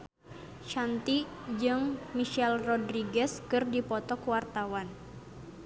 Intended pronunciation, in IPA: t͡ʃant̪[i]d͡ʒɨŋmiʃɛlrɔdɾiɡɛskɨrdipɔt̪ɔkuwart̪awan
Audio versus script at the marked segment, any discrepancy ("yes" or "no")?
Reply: no